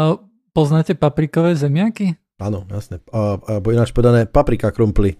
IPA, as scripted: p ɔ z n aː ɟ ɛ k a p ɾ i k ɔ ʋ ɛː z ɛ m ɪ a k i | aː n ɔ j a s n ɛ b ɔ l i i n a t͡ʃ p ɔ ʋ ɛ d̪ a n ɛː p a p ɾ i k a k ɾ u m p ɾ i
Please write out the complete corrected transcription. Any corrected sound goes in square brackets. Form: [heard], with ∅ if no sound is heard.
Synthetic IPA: p ɔ z n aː [c] ɛ [p] a p ɾ i k ɔ ʋ ɛː z ɛ m ɪ a k i | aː n ɔ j a s n ɛ b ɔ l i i n a t͡ʃ p ɔ ʋ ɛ d̪ a n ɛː p a p ɾ i k a k ɾ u m p [l] i